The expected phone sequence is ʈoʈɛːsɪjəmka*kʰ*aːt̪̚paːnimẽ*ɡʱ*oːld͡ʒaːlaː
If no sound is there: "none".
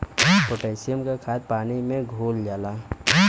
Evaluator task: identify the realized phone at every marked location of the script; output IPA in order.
kʰ, ɡʱ

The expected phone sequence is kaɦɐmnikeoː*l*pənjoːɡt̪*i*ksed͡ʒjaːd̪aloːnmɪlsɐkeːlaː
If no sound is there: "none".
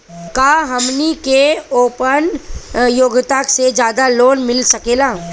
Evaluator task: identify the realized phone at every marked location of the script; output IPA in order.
none, a

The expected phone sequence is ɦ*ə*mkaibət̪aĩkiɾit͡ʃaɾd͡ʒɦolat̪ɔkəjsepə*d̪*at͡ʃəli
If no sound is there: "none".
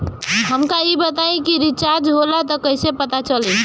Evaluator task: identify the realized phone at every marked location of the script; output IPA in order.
ə, t̪

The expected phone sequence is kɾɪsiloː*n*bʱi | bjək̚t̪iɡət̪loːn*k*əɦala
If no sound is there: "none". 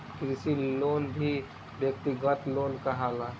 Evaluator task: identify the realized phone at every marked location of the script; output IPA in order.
n, k

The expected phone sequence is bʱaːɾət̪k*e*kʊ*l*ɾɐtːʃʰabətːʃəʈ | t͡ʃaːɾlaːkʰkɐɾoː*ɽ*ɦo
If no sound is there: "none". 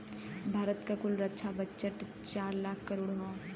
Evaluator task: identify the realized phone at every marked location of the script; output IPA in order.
a, l, ɽ

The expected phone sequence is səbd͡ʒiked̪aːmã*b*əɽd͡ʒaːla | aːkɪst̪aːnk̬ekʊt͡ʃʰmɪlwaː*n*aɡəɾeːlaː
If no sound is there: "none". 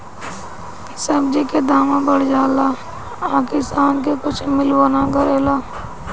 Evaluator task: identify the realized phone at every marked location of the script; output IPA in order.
b, n

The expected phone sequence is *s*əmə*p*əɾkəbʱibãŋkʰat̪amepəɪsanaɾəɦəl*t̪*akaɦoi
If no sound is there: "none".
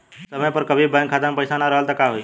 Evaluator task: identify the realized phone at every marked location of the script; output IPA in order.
s, p, t̪

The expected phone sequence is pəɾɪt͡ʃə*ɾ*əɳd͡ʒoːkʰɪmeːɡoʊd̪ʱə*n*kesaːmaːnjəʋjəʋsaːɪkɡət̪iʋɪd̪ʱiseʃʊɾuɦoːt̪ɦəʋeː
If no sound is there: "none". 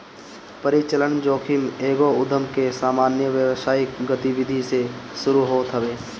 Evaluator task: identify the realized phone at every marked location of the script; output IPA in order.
l, m

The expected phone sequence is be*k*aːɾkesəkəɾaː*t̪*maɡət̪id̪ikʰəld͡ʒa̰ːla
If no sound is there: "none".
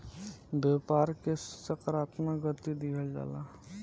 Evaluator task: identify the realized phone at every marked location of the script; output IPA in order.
p, t̪

